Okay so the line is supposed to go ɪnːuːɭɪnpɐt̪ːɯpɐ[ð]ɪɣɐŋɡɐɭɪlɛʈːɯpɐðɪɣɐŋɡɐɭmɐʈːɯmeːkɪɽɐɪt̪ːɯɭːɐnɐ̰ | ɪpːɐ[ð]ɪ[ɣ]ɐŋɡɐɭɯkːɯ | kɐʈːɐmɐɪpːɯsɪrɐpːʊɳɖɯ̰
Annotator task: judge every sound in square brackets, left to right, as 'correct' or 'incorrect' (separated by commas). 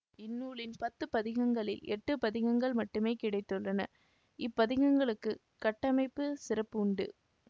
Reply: correct, correct, correct